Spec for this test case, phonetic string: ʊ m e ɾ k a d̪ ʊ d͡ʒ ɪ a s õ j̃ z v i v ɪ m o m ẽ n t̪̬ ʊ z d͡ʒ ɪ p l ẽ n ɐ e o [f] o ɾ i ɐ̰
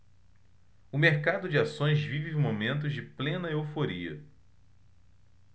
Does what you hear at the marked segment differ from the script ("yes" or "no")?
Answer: no